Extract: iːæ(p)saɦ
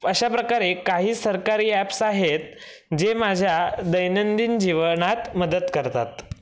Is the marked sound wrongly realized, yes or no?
no